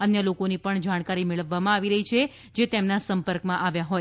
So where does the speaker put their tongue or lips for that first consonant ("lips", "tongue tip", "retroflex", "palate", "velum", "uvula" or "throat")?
tongue tip